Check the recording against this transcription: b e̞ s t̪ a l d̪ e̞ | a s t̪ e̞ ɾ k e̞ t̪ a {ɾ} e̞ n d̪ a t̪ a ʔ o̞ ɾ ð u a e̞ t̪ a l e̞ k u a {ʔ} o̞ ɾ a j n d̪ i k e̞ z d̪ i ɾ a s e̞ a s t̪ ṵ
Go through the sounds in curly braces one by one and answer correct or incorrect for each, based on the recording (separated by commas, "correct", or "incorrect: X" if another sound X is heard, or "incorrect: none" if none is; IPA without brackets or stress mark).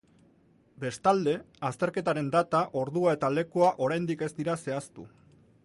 correct, correct